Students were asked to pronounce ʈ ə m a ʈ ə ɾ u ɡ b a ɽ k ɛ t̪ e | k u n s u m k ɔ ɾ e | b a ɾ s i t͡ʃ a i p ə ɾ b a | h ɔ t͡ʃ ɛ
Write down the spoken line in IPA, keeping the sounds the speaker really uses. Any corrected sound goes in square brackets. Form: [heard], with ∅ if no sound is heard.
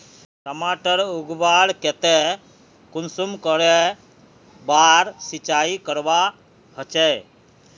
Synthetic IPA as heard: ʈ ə m a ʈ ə ɾ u ɡ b a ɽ k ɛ t̪ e | k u n s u m k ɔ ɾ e | b a ɾ s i t͡ʃ a i [k] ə ɾ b a | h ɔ t͡ʃ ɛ